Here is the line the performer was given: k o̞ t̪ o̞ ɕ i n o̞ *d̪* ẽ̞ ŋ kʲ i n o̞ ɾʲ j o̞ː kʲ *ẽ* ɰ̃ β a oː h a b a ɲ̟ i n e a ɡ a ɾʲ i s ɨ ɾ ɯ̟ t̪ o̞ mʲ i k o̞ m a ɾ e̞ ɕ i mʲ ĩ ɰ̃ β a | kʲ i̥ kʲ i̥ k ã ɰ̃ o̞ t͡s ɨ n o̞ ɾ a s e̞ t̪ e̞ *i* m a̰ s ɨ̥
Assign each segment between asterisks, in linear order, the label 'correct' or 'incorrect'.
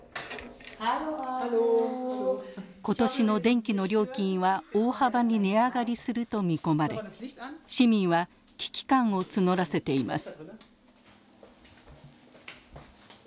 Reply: correct, incorrect, correct

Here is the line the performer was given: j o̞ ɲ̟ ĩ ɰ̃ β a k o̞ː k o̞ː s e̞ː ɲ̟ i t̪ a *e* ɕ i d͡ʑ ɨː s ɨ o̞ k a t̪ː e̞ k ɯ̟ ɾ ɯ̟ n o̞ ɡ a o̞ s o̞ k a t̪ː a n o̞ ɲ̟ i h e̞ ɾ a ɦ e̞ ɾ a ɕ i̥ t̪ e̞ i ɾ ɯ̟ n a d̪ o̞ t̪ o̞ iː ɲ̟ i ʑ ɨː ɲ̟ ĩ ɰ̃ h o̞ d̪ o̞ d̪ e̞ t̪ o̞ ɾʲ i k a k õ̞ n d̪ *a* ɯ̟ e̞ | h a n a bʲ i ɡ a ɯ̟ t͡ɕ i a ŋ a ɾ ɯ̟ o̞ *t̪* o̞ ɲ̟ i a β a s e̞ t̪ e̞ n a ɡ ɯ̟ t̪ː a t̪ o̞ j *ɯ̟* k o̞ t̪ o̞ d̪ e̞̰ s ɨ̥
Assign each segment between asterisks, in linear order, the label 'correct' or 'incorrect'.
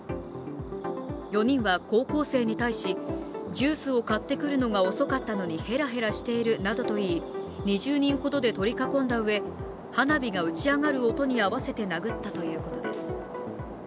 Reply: incorrect, correct, correct, incorrect

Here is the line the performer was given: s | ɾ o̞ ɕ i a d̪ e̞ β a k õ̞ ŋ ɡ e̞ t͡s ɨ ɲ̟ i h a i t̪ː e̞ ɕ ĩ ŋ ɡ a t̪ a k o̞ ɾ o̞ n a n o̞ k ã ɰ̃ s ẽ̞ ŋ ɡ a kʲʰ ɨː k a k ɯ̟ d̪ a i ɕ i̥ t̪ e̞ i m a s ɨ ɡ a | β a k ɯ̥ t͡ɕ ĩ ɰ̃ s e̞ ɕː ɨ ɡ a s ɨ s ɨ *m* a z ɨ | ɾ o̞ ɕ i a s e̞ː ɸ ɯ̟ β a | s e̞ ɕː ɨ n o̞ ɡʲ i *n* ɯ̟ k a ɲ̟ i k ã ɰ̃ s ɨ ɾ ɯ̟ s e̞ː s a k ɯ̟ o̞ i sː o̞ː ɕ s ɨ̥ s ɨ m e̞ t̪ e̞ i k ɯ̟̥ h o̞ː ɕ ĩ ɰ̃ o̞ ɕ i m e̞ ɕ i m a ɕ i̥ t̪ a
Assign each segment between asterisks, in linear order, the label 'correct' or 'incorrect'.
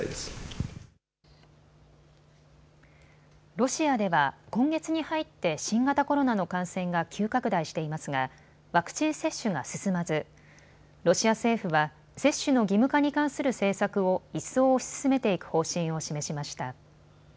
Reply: correct, incorrect

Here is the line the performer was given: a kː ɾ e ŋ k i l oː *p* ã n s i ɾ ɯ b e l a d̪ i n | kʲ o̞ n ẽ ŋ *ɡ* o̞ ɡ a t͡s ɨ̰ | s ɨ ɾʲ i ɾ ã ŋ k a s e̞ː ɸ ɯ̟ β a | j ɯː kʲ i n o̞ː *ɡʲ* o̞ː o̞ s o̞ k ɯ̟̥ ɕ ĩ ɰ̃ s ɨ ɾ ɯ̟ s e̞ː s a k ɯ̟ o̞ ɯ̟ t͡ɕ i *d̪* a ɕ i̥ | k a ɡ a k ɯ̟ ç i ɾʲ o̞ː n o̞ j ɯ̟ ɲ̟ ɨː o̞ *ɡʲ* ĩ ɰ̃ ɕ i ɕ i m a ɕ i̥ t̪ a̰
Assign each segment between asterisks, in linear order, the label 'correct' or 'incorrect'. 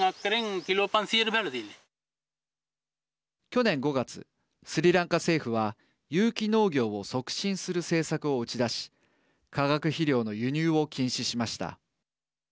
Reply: correct, correct, correct, correct, incorrect

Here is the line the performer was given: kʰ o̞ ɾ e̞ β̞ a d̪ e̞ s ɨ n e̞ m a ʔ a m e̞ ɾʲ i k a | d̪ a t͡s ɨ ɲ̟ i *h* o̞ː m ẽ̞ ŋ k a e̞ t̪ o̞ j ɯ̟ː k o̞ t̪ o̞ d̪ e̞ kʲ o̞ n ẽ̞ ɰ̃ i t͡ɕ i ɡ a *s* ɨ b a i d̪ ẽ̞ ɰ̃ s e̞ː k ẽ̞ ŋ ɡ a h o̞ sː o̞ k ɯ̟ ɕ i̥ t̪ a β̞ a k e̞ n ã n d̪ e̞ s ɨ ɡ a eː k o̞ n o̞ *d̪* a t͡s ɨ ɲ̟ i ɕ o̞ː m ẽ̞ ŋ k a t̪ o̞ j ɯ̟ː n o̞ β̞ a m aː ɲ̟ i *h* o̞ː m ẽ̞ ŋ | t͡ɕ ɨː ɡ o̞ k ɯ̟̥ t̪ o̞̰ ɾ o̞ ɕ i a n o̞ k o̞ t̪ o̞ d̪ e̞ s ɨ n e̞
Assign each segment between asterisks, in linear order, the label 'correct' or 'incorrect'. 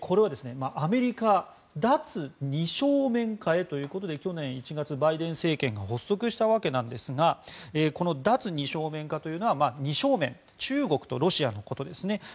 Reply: incorrect, incorrect, correct, incorrect

